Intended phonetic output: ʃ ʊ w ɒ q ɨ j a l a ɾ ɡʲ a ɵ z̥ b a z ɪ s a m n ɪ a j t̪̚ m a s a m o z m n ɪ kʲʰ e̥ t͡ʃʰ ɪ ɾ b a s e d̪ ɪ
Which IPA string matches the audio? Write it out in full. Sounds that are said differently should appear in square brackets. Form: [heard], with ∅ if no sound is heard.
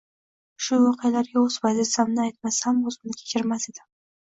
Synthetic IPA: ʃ ʊ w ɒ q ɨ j a l a ɾ ɡʲ a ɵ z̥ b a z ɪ s a m n ɪ a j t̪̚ m a s a m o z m n ɪ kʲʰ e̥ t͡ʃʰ ɪ ɾ [m] a s e d̪ ɪ